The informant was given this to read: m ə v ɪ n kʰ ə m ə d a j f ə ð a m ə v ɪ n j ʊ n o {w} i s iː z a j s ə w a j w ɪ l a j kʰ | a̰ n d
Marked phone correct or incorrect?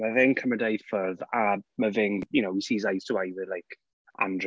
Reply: correct